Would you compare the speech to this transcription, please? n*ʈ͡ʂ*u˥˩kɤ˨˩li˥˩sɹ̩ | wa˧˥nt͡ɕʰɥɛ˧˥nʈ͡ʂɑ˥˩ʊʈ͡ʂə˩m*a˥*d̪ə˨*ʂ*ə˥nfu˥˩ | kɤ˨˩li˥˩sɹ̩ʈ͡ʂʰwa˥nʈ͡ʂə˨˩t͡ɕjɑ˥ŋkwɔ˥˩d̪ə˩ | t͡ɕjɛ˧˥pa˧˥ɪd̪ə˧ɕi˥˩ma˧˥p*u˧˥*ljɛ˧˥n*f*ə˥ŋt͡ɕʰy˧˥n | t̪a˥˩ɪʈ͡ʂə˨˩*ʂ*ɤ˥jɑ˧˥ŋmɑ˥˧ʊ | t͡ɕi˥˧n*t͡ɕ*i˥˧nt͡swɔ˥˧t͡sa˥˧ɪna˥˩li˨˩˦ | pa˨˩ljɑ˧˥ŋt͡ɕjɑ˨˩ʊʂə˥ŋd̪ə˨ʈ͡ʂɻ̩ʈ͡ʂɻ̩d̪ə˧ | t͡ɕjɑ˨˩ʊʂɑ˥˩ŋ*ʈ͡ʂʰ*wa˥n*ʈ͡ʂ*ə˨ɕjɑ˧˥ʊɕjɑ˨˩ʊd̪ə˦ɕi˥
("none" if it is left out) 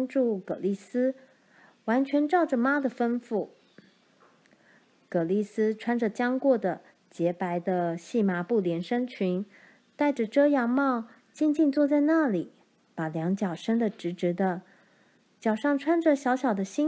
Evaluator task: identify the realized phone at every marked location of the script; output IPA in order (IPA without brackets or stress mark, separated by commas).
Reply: ʈ͡ʂ, a˥, f, u˥˩, ʂ, ʈ͡ʂ, t͡ɕ, ʈ͡ʂʰ, ʈ͡ʂ